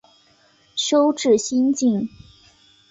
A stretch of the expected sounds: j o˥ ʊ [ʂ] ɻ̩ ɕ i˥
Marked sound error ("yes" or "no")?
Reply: yes